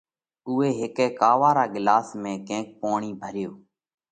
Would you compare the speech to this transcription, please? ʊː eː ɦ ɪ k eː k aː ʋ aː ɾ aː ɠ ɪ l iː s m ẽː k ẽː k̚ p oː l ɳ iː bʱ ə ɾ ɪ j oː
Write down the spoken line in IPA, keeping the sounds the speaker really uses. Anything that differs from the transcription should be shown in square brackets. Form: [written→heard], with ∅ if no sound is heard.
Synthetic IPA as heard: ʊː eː ɦ ɪ k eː k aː ʋ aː ɾ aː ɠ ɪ l [iː→aː] s m ẽː k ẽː k̚ p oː [l→∅] ɳ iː bʱ ə ɾ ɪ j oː